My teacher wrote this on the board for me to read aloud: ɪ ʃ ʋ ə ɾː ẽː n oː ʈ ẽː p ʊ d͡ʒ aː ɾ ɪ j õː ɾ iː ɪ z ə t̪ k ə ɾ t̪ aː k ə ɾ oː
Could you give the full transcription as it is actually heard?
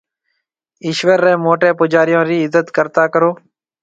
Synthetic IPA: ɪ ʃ ʋ ə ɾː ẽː m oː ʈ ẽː p ʊ d͡ʒ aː ɾ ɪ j õː ɾ iː ɪ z ə t̪ k ə ɾ t̪ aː k ə ɾ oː